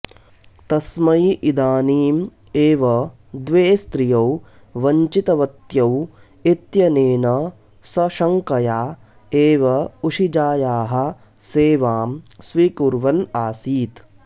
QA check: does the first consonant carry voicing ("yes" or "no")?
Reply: no